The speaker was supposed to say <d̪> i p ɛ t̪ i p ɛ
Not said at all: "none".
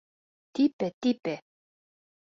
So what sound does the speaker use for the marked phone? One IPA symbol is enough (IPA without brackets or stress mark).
t̪